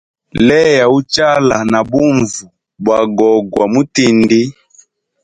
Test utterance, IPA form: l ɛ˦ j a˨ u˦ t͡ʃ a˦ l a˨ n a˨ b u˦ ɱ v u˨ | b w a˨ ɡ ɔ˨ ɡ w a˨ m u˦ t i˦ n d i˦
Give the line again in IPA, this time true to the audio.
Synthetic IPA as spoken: l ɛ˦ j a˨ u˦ t͡ʃ a˦ l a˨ n a˨ b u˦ ɱ v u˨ | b w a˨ ɡ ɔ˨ ɡ w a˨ m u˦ t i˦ n d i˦

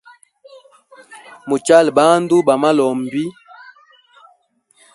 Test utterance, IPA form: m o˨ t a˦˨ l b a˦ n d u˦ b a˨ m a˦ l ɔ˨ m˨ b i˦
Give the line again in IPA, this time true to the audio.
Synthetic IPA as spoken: m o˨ t͡ʃ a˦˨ l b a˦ n d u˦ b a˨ m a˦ l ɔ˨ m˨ b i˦

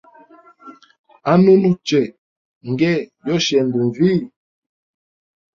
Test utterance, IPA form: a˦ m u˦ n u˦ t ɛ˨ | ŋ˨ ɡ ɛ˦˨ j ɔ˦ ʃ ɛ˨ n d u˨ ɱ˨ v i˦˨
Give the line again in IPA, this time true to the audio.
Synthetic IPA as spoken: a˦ n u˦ n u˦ t͡ʃ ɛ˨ | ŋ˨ ɡ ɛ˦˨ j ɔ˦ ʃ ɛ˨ n d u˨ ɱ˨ v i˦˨

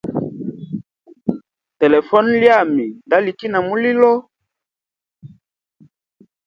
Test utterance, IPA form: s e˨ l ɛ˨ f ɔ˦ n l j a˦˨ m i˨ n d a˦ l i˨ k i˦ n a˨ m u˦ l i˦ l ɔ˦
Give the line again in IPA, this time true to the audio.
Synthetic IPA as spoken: t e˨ l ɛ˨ f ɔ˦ n l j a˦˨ m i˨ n d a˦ l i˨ k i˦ n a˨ m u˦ l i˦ l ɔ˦

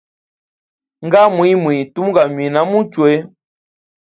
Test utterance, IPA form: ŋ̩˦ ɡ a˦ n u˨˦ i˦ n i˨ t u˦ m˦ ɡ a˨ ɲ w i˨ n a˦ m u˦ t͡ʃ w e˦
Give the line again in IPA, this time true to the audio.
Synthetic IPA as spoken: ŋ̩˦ ɡ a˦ m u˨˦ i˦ m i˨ t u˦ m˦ ɡ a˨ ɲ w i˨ n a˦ m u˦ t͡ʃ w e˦

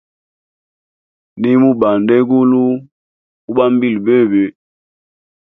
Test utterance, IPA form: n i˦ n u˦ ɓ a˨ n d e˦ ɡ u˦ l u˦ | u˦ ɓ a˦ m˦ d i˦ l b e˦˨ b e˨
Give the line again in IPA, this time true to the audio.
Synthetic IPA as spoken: n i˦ m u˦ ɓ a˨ n d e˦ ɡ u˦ l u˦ | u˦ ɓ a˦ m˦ b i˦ l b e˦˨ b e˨

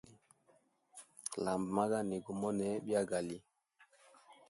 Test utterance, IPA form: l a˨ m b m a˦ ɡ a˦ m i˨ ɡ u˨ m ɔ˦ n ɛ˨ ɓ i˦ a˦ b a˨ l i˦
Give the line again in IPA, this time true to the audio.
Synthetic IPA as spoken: l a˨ m b m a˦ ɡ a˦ n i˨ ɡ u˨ m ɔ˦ n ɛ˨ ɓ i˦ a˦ ɡ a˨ l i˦

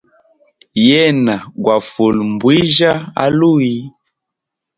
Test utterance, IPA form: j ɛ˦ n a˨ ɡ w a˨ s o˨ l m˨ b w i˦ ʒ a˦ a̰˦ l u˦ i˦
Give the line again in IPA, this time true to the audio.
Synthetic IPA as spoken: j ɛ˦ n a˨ ɡ w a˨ f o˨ l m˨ b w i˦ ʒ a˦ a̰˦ l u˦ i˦

